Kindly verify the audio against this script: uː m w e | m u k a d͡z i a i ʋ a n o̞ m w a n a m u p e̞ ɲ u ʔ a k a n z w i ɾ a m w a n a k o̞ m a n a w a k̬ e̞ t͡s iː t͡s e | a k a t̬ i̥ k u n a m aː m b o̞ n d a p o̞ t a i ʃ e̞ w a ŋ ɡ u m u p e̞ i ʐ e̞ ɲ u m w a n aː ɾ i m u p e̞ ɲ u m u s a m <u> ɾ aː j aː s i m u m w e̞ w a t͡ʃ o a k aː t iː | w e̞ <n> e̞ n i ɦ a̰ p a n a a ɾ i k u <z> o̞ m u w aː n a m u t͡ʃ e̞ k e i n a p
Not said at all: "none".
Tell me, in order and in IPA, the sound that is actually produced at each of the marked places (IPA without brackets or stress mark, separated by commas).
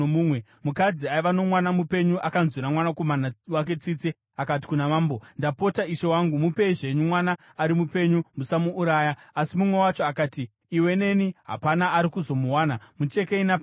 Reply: uː, n, z